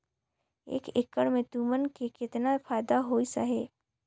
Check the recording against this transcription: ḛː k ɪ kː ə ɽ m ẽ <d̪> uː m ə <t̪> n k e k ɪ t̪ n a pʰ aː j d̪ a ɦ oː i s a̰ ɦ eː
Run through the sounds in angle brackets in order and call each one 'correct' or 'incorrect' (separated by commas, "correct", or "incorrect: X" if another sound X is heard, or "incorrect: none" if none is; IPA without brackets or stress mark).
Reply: incorrect: t̪, incorrect: none